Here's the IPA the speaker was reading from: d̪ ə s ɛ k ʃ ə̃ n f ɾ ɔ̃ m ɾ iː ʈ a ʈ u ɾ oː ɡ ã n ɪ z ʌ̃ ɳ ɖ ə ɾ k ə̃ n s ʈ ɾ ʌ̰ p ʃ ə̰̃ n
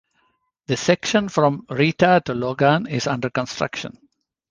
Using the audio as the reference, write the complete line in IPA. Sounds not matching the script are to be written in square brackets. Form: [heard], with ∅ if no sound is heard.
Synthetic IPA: d̪ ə s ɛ k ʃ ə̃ n f ɾ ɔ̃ m ɾ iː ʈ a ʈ u [l] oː ɡ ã n ɪ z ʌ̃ ɳ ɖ ə ɾ k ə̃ n s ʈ ɾ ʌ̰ [k] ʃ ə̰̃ n

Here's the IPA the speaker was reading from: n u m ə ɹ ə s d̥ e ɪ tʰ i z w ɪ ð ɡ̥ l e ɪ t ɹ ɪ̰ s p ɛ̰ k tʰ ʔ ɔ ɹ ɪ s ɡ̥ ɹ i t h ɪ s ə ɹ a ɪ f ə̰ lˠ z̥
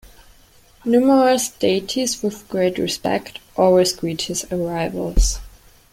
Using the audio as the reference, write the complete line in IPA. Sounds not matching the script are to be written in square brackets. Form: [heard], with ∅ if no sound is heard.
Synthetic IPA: n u m ə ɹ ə s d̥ e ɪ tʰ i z w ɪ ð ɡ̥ [ɹ] e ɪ t ɹ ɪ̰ s p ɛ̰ k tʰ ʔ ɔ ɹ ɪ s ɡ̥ ɹ i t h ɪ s ə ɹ a ɪ [v] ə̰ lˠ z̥

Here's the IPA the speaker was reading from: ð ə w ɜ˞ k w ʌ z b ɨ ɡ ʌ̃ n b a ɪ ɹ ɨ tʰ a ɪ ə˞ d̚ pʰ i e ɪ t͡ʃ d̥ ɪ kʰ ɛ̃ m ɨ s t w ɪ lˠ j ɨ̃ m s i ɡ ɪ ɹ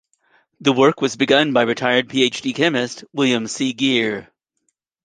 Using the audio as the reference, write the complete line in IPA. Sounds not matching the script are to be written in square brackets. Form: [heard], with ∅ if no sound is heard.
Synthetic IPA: ð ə w ɜ˞ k w ʌ z b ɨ ɡ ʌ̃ n b a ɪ ɹ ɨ tʰ a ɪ ə˞ d̚ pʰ i e ɪ t͡ʃ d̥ [i] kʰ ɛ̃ m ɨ s t w ɪ lˠ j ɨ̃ m s i ɡ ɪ ɹ

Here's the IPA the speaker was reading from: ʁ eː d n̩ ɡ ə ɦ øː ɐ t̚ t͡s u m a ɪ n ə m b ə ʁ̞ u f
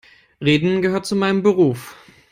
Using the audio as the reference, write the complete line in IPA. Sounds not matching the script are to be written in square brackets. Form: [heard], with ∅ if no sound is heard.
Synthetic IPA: ʁ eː d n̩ ɡ ə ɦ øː ɐ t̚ t͡s u m a ɪ n ə m b ə ʁ̞ [uː] f

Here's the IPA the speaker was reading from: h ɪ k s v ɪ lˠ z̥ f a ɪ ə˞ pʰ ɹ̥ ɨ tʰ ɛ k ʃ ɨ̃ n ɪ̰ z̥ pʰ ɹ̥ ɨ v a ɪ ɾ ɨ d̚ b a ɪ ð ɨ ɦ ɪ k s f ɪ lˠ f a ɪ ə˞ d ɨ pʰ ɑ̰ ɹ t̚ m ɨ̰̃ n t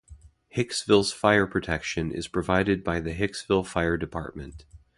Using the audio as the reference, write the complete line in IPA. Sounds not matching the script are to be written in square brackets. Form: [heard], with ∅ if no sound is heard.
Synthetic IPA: h ɪ k s v ɪ lˠ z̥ f a ɪ ə˞ pʰ ɹ̥ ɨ tʰ ɛ k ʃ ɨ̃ n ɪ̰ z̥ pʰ ɹ̥ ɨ v a ɪ ɾ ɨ d̚ b a ɪ ð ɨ ɦ ɪ k s [v] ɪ lˠ f a ɪ ə˞ d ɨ pʰ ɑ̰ ɹ t̚ m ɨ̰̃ n t

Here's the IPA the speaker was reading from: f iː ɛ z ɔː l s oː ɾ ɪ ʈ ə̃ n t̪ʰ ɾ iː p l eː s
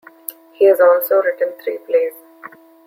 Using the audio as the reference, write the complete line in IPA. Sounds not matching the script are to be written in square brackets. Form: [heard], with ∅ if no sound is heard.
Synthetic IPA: [h] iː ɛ z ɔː l s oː ɾ ɪ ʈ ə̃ n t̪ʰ ɾ iː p l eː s

